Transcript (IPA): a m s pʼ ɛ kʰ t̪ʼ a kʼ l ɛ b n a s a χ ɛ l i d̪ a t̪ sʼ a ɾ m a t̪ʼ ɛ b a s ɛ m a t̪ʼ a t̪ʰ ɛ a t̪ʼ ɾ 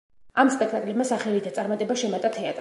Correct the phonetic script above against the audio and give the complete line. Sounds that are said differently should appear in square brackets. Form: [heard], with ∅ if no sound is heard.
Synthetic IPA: a m s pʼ ɛ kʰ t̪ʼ a kʼ l ɛ b [m] a s a χ ɛ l i d̪ a t̪ sʼ a ɾ m a t̪ʼ ɛ b a [ʃ] ɛ m a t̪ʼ a t̪ʰ ɛ a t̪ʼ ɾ